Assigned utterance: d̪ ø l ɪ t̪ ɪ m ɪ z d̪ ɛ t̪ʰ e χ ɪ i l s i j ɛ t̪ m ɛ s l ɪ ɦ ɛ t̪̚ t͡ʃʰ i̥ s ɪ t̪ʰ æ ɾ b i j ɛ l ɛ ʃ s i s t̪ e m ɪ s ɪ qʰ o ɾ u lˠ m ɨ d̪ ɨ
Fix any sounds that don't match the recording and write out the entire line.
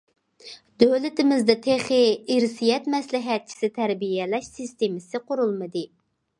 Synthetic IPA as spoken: d̪ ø l ɪ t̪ ɪ m ɪ z d̪ ɛ t̪ʰ e χ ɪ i ɾ s i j ɛ t̪ m ɛ s l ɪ ɦ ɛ t̪̚ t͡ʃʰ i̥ s ɪ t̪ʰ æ ɾ b i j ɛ l ɛ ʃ s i s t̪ e m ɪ s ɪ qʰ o ɾ u lˠ m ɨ d̪ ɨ